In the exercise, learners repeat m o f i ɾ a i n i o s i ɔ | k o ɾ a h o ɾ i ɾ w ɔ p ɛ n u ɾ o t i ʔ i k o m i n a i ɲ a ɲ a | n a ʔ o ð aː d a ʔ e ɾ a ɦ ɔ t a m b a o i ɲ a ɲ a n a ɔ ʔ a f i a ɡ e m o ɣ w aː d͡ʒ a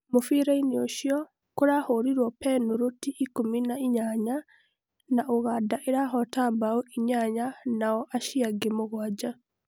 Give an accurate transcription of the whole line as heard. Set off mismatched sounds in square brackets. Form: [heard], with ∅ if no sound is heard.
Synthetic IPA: m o f i ɾ a i n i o [ʃ] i ɔ | k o ɾ a h o ɾ i ɾ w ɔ p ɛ n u ɾ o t i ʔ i k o m i n a i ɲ a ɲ a | n a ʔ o [ɣ] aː d a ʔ e ɾ a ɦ ɔ t a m b a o i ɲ a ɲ a n a ɔ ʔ a [ʃ] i a ɡ e m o ɣ w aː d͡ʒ a